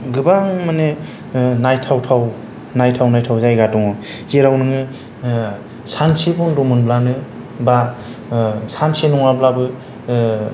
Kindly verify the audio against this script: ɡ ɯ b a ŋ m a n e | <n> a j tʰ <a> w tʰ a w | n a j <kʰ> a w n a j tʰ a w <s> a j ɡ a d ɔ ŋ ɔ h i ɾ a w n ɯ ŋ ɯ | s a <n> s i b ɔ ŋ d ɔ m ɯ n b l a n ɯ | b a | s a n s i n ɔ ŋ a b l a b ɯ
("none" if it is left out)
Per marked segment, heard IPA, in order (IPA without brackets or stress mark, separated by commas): n, a, tʰ, z, n